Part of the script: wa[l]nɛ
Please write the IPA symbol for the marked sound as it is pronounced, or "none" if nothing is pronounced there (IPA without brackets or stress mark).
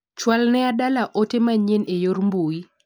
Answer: l